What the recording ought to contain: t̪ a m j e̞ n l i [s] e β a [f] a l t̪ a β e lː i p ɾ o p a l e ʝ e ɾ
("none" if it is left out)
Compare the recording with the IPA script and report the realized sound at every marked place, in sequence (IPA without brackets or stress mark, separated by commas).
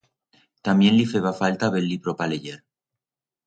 f, f